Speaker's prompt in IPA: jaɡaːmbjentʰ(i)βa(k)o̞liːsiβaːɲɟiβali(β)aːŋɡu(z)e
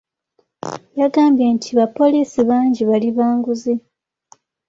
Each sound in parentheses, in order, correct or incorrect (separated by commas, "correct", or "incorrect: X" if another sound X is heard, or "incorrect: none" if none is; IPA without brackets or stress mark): correct, incorrect: p, correct, correct